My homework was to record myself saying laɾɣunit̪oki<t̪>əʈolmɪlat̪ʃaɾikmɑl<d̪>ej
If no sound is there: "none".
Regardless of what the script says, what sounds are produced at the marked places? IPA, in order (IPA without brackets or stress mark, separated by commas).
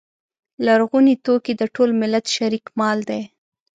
d̪, d̪